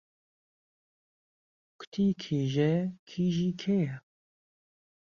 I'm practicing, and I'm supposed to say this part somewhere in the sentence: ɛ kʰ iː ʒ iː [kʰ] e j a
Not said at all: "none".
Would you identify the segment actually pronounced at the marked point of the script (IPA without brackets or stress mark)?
kʰ